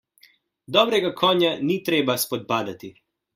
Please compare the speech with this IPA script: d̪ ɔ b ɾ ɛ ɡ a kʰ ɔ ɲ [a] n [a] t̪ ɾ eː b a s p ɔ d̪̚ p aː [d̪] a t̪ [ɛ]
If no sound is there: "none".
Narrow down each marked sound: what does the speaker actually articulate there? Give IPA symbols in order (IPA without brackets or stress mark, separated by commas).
a, i, d̪, i